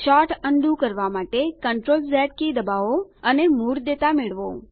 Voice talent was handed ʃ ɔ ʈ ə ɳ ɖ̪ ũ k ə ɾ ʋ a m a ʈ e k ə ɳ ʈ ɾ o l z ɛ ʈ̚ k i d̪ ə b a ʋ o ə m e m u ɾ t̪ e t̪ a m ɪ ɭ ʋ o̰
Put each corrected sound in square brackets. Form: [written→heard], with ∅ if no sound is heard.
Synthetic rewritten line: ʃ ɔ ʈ ə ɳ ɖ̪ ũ k ə ɾ ʋ a m a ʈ e k ə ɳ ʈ ɾ o l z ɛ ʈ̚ k i d̪ ə b a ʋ o ə [m→n] e m u ɾ [t̪→d̪] e t̪ a m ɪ ɭ ʋ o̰

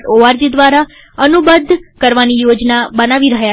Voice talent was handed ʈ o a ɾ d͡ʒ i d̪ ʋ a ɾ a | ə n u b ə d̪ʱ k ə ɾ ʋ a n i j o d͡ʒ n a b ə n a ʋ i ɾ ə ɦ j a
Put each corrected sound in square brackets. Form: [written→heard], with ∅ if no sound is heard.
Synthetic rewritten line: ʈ o a ɾ d͡ʒ i d̪ ʋ a ɾ a | ə n u b ə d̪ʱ k ə ɾ ʋ a n i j o d͡ʒ n a b ə n a ʋ i ɾ ə ɦ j a

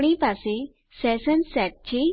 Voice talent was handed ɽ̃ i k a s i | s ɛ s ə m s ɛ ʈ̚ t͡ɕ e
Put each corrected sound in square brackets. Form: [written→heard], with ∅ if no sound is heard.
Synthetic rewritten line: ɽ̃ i [k→p] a s [i→e] | s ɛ s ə [m→n] s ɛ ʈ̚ t͡ɕ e

